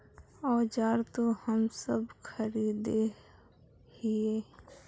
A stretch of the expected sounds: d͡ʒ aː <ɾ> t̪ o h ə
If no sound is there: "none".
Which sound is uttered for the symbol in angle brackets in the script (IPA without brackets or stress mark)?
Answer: ɾ